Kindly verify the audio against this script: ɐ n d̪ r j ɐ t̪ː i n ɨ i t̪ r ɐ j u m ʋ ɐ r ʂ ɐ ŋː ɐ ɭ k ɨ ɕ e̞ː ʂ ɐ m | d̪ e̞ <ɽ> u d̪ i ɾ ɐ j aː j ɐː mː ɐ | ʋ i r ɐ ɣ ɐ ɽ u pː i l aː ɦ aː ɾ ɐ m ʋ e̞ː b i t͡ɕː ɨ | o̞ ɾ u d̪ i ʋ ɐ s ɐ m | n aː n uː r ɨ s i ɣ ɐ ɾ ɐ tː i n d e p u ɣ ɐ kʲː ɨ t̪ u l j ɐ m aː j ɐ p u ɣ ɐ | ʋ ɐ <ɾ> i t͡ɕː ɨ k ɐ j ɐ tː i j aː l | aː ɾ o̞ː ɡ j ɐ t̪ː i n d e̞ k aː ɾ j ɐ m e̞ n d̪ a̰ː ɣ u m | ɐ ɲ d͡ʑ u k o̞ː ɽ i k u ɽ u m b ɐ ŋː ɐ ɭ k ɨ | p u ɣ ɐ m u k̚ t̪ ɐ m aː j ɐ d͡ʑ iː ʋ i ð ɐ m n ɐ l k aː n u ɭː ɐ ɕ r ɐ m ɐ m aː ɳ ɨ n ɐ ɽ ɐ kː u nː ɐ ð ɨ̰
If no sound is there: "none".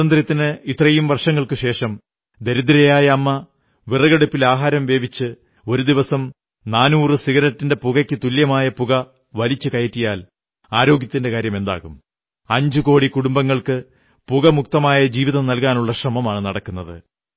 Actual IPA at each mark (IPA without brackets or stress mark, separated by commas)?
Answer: ɾ, l